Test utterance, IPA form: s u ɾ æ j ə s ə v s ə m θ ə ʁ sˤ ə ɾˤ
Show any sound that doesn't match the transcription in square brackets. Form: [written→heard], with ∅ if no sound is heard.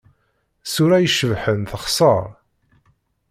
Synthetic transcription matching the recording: s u ɾ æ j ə [s→ʃ] ə v [s→ħ] ə [m→n] θ ə [ʁ→χ] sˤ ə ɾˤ